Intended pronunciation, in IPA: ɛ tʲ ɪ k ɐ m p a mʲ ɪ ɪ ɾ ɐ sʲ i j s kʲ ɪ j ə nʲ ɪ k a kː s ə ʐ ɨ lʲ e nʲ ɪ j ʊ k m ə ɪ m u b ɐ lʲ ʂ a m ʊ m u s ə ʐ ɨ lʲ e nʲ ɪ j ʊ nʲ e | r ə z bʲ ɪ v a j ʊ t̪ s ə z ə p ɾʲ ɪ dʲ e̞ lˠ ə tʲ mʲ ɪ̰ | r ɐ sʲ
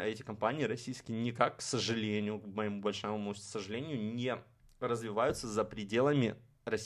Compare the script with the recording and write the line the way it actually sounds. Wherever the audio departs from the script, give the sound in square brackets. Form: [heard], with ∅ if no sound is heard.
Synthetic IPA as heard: ɛ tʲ ɪ k ɐ m p a [nʲ] ɪ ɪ ɾ ɐ sʲ i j s kʲ ɪ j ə nʲ ɪ k a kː s ə ʐ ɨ lʲ e nʲ ɪ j ʊ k m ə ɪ m u b ɐ lʲ ʂ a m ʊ m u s ə ʐ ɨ lʲ e nʲ ɪ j ʊ nʲ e | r ə z [vʲ] ɪ v a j ʊ t̪ s ə z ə p ɾʲ ɪ dʲ e̞ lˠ ə [∅] mʲ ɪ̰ | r ɐ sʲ